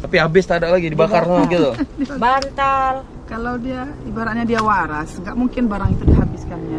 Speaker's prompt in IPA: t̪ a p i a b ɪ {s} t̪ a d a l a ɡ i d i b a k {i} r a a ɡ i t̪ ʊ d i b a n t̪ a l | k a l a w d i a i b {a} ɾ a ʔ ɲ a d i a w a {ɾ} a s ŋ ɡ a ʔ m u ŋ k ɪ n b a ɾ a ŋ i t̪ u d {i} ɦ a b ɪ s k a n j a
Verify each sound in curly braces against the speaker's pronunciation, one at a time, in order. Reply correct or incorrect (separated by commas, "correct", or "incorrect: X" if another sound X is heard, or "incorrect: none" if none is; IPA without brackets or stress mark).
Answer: correct, incorrect: a, correct, correct, correct